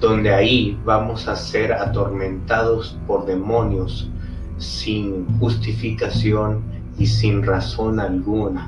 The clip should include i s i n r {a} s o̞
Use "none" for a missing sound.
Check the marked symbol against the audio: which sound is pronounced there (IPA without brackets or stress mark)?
a